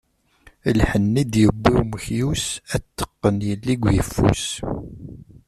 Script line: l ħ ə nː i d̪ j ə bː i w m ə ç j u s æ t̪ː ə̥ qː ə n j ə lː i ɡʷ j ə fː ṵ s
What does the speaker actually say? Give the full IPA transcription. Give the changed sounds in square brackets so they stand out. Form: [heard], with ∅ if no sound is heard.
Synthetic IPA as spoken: l ħ ə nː i d̪ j ə bː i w m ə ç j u s æ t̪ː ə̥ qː ə n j ə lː i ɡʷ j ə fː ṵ s